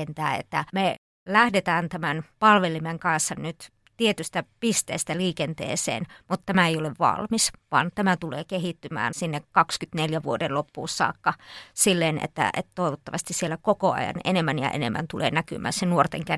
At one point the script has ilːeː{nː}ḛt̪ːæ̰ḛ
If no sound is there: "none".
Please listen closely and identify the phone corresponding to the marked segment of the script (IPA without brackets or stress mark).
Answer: n